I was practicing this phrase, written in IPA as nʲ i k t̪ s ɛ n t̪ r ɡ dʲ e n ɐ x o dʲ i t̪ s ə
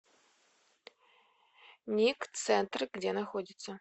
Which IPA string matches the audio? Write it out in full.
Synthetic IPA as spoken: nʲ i k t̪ s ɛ n t̪ r ɡ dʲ e n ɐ x o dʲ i t̪ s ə